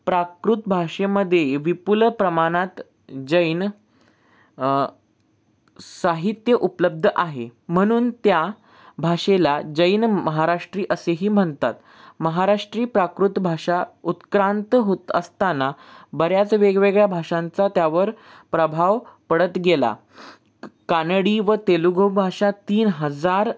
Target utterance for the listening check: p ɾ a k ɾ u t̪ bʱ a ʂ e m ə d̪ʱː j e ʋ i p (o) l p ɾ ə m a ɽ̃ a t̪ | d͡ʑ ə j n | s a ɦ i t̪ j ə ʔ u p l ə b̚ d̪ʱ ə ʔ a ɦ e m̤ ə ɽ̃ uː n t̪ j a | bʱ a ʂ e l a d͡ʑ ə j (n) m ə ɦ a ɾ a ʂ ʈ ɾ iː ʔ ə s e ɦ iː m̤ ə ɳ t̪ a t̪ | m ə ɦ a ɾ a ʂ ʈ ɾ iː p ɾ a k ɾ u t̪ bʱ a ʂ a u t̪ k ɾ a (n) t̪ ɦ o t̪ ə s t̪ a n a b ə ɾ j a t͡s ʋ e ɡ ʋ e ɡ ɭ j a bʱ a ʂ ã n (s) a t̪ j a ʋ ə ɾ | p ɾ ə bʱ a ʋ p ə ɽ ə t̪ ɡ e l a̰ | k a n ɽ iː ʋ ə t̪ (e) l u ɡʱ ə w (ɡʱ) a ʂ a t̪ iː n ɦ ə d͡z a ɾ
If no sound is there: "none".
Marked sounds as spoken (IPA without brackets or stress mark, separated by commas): u, n, n, t͡s, e, bʱ